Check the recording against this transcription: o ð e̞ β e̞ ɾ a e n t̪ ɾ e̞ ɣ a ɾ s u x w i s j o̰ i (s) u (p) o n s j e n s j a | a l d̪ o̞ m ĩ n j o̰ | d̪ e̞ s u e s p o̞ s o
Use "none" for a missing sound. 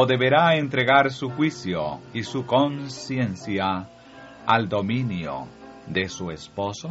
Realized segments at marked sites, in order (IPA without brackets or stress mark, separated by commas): s, k